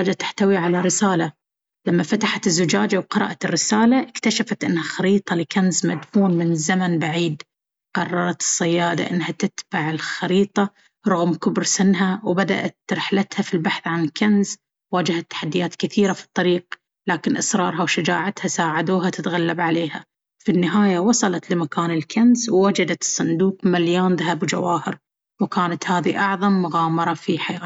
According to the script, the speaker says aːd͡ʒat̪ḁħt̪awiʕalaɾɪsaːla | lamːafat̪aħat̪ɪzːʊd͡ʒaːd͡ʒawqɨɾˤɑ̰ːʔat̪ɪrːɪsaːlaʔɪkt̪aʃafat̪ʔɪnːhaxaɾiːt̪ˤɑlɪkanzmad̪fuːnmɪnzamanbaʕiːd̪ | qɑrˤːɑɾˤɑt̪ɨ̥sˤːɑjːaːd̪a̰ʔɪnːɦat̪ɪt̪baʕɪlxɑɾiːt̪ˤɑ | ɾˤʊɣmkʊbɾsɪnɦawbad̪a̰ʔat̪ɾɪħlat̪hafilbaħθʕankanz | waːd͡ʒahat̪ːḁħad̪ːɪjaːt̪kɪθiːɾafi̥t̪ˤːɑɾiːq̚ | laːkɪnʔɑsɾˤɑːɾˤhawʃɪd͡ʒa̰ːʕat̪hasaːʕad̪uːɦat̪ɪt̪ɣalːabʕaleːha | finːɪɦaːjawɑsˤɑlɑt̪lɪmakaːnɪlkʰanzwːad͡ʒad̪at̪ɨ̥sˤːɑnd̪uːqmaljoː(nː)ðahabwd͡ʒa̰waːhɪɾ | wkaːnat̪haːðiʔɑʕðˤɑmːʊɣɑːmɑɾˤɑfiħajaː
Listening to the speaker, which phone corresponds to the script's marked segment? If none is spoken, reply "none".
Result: n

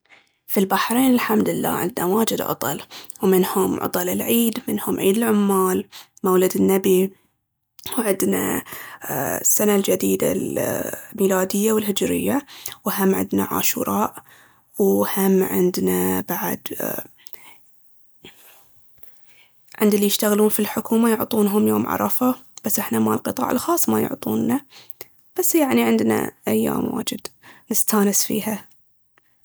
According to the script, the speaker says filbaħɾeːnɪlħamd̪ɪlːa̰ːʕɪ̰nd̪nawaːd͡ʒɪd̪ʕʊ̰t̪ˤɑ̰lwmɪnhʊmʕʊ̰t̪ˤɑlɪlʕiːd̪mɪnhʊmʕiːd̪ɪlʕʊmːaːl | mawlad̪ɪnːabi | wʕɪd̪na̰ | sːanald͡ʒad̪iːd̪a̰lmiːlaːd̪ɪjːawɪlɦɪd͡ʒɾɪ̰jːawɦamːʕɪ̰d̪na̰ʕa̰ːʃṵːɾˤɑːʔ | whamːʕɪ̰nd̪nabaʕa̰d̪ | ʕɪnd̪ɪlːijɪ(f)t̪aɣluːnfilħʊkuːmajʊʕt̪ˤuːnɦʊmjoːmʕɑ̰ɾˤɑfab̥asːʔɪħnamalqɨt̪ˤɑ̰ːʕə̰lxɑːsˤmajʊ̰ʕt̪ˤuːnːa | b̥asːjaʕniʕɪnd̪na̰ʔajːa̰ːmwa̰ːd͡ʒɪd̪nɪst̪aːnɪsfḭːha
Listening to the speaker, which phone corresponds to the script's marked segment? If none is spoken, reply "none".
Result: ʃ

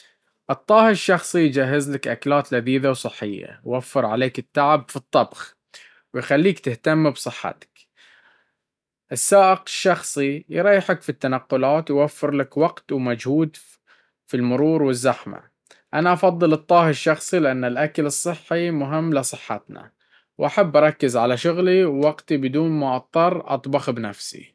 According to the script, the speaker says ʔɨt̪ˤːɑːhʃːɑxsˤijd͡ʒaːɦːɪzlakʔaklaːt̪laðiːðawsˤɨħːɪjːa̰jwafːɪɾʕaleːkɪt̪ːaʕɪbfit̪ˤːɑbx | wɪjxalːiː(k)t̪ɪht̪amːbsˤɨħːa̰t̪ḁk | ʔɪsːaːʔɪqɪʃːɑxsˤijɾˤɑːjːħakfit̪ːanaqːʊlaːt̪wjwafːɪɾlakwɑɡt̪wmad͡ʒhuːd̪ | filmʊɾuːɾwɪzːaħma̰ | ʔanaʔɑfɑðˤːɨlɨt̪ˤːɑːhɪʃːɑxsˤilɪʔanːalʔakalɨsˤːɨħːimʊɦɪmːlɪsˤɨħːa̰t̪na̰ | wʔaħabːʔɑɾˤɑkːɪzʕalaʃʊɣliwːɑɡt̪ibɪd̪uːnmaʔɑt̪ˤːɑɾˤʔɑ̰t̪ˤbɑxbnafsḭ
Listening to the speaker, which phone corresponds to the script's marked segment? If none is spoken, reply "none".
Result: k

